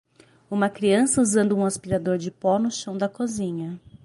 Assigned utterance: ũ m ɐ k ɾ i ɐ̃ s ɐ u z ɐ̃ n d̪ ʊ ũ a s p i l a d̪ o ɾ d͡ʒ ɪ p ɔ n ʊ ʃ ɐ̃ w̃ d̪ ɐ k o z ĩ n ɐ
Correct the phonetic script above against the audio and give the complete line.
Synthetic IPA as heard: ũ m ɐ k ɾ i ɐ̃ s ɐ u z ɐ̃ n d̪ ʊ ũ a s p i ɾ a d̪ o ɾ d͡ʒ ɪ p ɔ n ʊ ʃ ɐ̃ w̃ d̪ ɐ k o z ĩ ɲ ɐ